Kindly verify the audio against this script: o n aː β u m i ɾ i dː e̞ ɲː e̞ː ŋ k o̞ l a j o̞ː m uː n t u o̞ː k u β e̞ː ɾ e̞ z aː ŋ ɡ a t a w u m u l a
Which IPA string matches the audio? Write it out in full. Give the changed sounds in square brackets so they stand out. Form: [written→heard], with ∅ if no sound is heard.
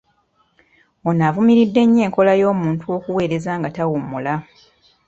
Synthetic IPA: o n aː [β→v] u m i ɾ i dː e̞ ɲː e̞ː ŋ k o̞ l a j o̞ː m uː n t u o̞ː k u [β→w] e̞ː ɾ e̞ z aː ŋ ɡ a t a w u m u l a